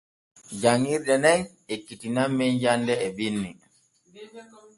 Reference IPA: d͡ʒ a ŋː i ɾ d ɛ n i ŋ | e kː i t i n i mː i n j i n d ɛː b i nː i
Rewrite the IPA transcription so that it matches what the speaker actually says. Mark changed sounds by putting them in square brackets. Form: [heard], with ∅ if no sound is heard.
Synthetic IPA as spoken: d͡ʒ a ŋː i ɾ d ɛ n [ɛ] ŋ | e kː i t i n [a] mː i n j [a] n d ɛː b i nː i

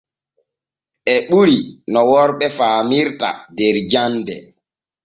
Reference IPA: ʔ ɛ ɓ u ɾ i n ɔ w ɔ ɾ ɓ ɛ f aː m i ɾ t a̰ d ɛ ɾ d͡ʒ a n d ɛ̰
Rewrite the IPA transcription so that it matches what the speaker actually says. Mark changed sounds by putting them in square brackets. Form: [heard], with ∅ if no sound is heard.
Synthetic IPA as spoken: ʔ ɛ ɓ u ɾ i n ɔ w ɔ ɾ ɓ ɛ f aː m i ɾ t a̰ d ɛ ɾ d͡ʒ a n d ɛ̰

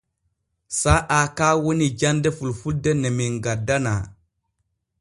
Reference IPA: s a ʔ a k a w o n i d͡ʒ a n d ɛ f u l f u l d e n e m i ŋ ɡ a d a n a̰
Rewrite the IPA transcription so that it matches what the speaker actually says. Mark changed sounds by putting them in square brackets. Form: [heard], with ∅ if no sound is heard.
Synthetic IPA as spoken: s a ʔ a k a w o n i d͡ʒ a n d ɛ f u l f u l d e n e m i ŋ ɡ a d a n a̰

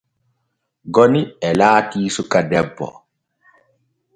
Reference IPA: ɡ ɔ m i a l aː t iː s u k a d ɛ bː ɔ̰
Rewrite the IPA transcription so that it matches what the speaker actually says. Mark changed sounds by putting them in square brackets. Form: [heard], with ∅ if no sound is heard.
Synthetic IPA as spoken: ɡ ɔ [n] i [ɛ] l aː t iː s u k a d ɛ bː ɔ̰

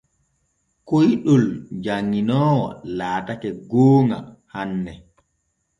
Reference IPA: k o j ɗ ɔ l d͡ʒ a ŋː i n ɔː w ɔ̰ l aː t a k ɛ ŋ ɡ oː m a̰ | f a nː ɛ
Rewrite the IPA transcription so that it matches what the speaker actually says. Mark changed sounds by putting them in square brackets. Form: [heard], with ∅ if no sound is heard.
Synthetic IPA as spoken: k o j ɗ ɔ l d͡ʒ a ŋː i n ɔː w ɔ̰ l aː t a k ɛ [∅] ɡ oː [ŋ] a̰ | [h] a nː ɛ

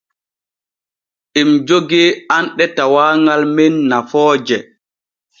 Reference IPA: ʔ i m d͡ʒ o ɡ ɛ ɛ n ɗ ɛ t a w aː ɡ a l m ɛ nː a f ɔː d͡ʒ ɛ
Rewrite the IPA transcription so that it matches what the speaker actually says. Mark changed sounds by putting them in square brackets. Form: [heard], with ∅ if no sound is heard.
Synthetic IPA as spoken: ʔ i m d͡ʒ o ɡ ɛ [a] n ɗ ɛ t a w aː [ŋ] a l m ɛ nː a f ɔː d͡ʒ ɛ

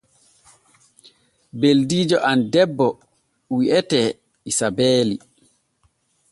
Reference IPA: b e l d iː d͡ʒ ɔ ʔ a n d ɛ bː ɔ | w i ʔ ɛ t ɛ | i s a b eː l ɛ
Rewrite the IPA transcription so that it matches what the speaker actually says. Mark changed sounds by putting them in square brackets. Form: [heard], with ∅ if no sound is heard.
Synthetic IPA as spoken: b e l d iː d͡ʒ ɔ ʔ a n d ɛ bː ɔ | w i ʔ ɛ t ɛ | i s a b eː l [i]

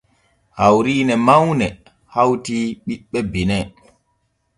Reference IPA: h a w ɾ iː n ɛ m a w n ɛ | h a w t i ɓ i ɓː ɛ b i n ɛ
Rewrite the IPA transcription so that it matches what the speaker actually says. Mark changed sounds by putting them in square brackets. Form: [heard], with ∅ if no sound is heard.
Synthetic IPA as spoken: h a w ɾ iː n ɛ m a w n ɛ | h a w t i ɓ i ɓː ɛ b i n ɛ

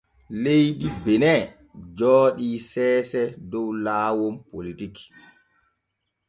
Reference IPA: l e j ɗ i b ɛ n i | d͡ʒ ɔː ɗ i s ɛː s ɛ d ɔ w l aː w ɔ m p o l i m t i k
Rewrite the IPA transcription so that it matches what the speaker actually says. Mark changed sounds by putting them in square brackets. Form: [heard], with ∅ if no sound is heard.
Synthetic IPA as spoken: l e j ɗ i b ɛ n [ɛ] | d͡ʒ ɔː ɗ i s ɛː s ɛ d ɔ w l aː w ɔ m p o l i [∅] t i k

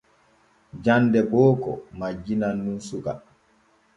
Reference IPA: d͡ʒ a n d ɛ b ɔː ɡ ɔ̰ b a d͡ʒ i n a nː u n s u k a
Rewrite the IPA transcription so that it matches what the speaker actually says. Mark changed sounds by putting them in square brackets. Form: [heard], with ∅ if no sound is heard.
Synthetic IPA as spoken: d͡ʒ a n d ɛ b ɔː [k] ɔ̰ [m] a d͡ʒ i n a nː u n s u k a

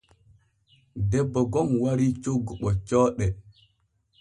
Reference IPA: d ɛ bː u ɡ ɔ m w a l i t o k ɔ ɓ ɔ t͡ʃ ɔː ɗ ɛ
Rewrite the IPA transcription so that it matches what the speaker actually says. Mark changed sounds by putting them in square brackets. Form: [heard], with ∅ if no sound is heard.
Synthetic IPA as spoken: d ɛ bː [ɔ] ɡ ɔ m w a [ɾ] i [t͡ʃ] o [ɡ] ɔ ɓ ɔ t͡ʃ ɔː ɗ ɛ

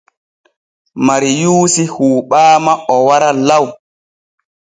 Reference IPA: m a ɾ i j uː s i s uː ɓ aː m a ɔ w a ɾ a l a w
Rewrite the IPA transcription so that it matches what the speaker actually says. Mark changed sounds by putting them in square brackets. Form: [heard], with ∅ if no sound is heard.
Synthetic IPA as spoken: m a ɾ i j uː s i [h] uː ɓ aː m a ɔ w a ɾ a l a w

